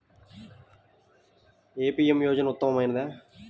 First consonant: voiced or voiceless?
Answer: voiceless